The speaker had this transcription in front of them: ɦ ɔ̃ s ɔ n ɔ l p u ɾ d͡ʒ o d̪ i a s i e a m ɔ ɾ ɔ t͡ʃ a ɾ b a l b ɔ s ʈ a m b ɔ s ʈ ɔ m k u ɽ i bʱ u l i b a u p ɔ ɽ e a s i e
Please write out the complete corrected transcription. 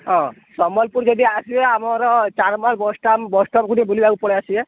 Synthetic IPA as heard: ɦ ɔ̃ s ɔ m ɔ l p u ɾ d͡ʒ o d̪ i a s i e a m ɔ ɾ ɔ t͡ʃ a ɾ m a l b ɔ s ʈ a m b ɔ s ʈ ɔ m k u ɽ i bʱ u l i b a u p ɔ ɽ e a s i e